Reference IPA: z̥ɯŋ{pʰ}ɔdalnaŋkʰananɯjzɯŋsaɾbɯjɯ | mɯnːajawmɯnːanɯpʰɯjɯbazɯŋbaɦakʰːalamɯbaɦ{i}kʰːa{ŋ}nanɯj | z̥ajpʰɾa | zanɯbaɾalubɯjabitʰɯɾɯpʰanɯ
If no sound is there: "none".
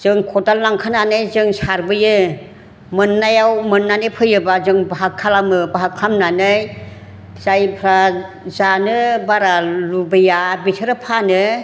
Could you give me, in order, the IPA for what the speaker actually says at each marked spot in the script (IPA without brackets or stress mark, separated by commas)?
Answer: kʰ, a, m